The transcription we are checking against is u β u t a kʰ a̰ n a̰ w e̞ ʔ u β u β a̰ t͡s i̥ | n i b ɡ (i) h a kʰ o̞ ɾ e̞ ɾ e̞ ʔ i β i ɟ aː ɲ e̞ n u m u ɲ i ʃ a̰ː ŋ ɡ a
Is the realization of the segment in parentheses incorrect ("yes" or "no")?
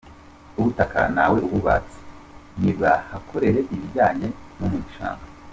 yes